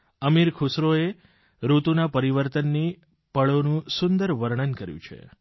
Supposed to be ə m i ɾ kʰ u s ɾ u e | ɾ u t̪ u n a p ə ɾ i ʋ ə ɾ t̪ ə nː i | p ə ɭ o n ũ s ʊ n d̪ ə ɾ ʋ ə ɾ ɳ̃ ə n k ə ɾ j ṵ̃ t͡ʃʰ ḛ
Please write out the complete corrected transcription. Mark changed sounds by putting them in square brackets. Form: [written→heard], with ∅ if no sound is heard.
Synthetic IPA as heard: ə m i ɾ kʰ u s ɾ [u→o] e | ɾ u t̪ u n a p ə ɾ i ʋ ə ɾ t̪ ə nː i | p ə ɭ o n ũ s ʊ n d̪ ə ɾ ʋ ə ɾ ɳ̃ ə n k ə ɾ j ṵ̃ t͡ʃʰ ḛ